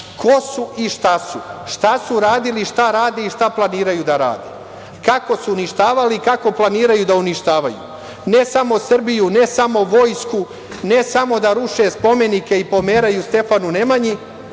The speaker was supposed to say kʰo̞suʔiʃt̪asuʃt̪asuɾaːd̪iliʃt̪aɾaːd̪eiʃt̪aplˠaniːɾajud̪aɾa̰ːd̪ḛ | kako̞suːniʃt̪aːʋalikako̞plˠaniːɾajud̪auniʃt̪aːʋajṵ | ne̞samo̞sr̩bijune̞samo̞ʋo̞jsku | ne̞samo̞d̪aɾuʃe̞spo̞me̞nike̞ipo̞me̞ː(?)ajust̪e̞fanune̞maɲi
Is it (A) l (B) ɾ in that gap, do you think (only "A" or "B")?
B